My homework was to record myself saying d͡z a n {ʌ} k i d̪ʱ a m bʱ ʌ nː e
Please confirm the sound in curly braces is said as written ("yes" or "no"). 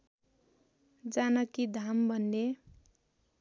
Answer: yes